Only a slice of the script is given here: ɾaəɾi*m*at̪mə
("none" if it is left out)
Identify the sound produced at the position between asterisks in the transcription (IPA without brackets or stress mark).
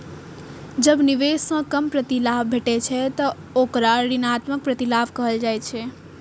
n